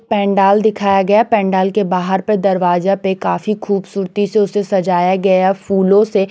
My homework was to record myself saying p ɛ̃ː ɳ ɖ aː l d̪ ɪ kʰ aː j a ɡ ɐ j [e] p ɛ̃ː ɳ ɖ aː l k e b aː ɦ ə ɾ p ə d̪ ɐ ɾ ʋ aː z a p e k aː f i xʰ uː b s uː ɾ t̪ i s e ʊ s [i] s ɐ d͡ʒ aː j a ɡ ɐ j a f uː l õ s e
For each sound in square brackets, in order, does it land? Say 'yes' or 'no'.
no, no

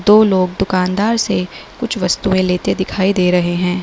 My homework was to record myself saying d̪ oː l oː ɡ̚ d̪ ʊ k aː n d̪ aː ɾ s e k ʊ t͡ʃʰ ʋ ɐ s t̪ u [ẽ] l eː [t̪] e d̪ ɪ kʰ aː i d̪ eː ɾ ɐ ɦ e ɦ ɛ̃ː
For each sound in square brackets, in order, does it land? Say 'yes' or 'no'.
yes, yes

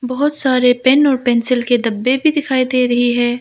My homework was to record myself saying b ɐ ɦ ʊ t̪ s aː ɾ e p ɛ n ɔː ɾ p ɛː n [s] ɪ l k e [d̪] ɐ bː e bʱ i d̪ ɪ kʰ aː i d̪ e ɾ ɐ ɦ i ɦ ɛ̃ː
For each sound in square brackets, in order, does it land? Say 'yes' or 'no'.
yes, yes

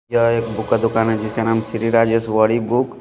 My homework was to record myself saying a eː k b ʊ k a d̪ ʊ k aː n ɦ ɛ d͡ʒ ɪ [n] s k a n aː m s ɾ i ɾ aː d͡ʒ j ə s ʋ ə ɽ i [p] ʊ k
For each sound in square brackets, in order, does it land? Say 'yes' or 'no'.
no, no

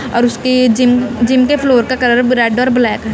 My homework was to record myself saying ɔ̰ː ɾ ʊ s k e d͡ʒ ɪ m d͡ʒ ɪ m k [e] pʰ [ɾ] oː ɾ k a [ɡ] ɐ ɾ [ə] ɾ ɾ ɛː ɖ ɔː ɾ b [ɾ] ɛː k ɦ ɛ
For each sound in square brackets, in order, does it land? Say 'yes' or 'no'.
yes, no, no, yes, no

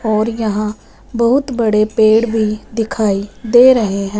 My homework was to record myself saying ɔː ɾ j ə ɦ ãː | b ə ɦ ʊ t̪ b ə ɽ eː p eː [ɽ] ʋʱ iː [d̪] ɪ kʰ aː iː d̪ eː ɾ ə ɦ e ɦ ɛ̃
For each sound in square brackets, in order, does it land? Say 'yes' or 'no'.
yes, yes

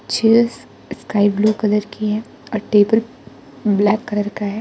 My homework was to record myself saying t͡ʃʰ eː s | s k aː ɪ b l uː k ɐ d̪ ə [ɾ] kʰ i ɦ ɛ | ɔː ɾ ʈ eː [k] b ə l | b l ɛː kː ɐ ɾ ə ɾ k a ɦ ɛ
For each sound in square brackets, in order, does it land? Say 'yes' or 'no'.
yes, no

